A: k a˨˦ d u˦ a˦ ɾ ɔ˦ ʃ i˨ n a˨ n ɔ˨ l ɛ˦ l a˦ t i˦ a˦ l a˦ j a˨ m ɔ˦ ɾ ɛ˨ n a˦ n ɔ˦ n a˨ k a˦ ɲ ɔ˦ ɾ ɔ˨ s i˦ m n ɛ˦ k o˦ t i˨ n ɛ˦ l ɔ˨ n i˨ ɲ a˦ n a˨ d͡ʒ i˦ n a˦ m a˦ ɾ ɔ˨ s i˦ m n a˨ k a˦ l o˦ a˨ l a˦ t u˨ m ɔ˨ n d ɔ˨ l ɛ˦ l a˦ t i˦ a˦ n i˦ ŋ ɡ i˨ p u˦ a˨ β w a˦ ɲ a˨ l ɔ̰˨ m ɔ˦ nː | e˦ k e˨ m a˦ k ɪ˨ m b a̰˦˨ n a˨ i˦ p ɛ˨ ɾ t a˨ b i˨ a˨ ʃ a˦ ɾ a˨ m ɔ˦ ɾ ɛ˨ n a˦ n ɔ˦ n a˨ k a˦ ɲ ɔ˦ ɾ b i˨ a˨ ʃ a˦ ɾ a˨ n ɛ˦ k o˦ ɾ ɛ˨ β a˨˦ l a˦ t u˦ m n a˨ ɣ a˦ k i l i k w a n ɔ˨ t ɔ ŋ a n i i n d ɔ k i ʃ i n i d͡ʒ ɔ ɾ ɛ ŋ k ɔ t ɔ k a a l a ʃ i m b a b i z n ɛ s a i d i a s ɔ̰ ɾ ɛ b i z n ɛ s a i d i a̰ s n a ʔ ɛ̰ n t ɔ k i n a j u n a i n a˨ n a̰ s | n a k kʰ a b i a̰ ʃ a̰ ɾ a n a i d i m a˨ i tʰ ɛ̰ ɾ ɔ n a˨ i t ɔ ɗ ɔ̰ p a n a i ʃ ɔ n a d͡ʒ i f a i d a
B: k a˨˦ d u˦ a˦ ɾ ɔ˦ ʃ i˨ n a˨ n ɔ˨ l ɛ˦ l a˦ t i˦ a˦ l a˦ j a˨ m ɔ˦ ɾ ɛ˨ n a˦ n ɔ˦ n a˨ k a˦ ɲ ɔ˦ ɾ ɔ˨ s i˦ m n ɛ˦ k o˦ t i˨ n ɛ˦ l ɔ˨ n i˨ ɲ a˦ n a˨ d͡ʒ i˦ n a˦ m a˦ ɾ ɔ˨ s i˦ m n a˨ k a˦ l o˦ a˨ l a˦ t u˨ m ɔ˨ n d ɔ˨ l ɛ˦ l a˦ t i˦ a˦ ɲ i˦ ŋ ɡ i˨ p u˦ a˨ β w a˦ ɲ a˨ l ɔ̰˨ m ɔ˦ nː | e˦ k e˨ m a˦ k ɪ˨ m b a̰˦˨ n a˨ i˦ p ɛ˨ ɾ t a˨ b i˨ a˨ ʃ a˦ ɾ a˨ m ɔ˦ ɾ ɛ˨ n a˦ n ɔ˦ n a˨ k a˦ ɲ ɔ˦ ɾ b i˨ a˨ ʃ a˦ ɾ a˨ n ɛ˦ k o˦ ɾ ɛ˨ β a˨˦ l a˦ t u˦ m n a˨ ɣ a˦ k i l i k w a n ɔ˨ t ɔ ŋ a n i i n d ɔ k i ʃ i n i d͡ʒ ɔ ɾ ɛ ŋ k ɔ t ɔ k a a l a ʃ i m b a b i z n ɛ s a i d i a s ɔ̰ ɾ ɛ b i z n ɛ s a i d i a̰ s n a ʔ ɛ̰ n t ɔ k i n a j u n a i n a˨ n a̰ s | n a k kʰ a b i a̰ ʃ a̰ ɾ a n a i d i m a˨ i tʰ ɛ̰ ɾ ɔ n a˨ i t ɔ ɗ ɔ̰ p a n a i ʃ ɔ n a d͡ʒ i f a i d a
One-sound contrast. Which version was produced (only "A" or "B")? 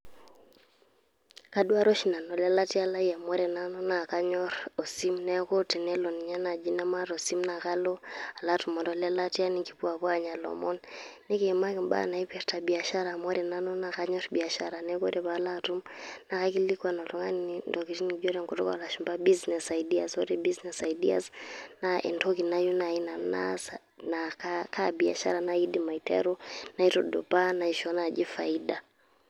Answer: A